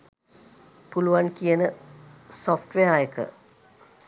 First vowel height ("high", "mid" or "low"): high